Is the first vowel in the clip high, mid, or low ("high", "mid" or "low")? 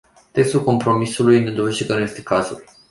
mid